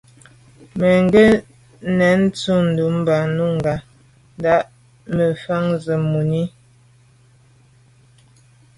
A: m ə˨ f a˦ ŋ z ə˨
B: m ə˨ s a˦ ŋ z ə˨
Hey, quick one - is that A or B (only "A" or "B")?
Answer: A